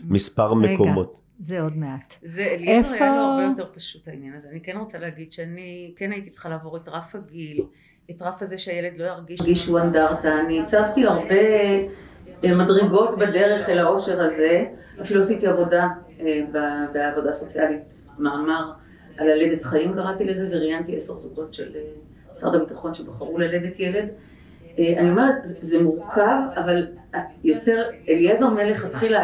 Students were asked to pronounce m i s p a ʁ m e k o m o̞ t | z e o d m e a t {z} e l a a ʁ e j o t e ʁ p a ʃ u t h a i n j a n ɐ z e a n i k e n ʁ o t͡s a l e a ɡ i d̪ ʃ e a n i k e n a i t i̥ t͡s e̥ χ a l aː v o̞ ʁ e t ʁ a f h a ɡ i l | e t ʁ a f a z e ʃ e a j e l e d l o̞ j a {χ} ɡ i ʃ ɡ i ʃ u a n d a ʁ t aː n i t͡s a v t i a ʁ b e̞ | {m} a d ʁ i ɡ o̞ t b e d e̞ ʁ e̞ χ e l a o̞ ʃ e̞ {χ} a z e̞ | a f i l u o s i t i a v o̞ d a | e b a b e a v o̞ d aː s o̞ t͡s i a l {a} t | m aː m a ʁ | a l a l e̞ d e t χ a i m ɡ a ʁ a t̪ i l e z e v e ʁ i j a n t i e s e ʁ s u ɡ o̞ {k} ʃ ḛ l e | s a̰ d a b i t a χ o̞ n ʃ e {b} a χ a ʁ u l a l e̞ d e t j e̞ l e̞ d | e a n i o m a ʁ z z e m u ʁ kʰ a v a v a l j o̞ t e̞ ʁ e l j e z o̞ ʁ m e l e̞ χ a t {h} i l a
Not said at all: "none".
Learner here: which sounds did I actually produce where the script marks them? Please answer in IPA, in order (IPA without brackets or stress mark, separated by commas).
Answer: z, ʁ, m, ʁ, i, t, b, χ